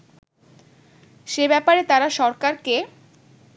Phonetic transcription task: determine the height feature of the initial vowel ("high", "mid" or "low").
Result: mid